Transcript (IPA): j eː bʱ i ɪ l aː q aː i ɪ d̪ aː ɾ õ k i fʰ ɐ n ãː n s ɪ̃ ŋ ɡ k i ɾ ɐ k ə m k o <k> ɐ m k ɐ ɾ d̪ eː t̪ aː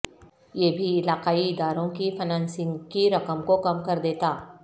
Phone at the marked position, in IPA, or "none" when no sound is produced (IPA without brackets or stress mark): k